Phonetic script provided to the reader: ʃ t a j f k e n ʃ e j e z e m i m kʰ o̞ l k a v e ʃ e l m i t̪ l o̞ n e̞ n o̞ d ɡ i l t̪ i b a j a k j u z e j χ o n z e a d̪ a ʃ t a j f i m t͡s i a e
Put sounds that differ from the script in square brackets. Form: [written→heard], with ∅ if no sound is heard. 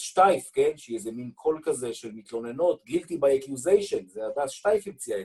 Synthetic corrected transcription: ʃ t a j f k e n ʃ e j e z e m i [m→n] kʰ o̞ l k a [v→z] e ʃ e l m i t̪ l o̞ n e̞ n o̞ [d→t] ɡ i l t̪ i b a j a k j u z e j [χ→ʃ] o n z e a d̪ a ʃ t a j f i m t͡s i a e